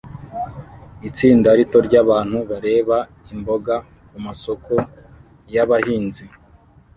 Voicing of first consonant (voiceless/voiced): voiceless